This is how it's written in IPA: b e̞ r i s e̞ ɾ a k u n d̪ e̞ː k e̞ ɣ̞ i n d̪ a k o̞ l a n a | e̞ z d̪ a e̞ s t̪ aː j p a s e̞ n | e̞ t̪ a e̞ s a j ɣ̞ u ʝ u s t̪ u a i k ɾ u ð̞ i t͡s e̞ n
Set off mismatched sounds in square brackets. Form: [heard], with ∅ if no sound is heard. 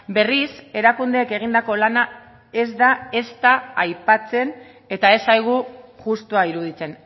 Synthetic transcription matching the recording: b e̞ r i s e̞ ɾ a k u n d̪ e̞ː k e̞ ɣ̞ i n d̪ a k o̞ l a n a | e̞ z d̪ a e̞ s t̪ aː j p a [t͡s] e̞ n | e̞ t̪ a e̞ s a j ɣ̞ u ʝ u s t̪ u a i [∅] ɾ u ð̞ i t͡s e̞ n